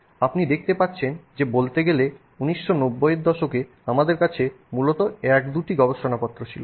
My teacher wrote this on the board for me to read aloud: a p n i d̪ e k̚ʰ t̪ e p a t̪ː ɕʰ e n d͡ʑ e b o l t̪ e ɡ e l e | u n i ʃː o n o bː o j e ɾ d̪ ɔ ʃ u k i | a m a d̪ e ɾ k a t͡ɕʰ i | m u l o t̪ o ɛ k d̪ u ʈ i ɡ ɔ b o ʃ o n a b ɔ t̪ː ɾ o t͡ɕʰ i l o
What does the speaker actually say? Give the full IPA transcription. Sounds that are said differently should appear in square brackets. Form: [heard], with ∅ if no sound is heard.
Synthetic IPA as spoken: a p n i d̪ e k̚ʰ t̪ e p a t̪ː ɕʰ e n d͡ʑ e b o l t̪ e ɡ e l e | u n i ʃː o n o bː o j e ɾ d̪ ɔ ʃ [o] k [e] | a m a d̪ e ɾ k a t͡ɕʰ [e] | m u l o t̪ o ɛ k d̪ u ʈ i ɡ ɔ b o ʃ o n a [p] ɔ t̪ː ɾ o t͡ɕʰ i l o